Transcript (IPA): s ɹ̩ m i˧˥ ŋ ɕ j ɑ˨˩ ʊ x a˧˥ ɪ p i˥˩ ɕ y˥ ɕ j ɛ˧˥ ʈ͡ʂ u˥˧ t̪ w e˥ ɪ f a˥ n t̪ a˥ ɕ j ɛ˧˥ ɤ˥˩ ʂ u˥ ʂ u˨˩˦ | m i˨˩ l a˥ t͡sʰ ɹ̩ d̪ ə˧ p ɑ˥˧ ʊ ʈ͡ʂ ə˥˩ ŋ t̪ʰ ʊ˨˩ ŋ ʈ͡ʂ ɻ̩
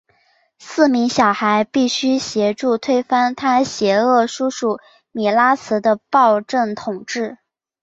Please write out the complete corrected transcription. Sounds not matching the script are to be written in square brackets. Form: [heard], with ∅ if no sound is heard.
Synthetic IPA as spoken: s ɹ̩ m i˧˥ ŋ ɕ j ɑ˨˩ ʊ x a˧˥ ɪ p i˥˩ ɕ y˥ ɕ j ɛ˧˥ ʈ͡ʂ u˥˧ [t̪ʰ] w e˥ ɪ f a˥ n [t̪ʰ] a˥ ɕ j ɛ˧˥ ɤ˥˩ ʂ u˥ ʂ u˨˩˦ | m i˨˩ l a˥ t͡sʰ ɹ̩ d̪ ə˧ p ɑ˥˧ ʊ ʈ͡ʂ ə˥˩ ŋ t̪ʰ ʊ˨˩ ŋ ʈ͡ʂ ɻ̩